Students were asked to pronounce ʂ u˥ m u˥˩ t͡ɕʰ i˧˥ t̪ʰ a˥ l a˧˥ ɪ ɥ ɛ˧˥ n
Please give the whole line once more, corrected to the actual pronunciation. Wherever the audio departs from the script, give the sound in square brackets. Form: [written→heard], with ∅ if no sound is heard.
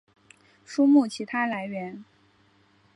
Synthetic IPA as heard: ʂ u˥ m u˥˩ t͡ɕʰ i˧˥ t̪ʰ a˥ l a˧˥ ɪ ɥ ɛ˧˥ n